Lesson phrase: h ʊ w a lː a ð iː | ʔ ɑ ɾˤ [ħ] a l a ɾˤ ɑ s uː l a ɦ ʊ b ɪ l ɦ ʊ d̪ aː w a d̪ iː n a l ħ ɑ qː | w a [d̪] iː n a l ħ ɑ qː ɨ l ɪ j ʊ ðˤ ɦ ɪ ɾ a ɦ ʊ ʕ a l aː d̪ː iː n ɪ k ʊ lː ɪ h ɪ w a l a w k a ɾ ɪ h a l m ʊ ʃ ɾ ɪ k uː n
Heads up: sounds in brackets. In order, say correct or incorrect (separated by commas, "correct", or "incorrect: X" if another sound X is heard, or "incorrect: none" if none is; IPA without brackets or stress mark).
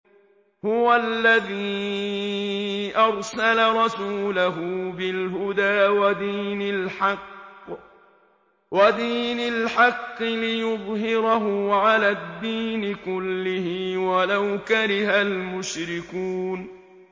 incorrect: s, correct